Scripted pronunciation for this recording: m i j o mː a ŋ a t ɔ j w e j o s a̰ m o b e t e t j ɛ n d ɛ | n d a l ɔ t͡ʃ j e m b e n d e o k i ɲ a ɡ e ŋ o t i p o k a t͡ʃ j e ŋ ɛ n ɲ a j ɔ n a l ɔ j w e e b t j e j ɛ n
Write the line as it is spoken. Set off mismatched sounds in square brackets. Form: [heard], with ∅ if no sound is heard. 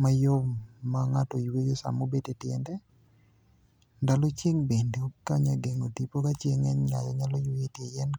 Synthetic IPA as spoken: m [a] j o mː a ŋ a t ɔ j w e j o s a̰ m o b e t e t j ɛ n d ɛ | n d a l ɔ t͡ʃ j e [ŋ] b e n d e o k [a] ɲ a ɡ e ŋ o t i p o k a t͡ʃ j e ŋ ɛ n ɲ a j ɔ [ɲ] a l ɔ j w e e [∅] t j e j ɛ n